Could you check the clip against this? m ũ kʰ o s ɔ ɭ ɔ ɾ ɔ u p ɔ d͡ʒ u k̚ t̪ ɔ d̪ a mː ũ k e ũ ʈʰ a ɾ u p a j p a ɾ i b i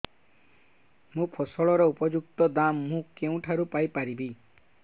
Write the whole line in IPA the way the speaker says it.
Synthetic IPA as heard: m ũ pʰ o s ɔ ɭ ɔ ɾ ɔ u p ɔ d͡ʒ u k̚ t̪ ɔ d̪ a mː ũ k e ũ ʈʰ a ɾ u p a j p a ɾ i b i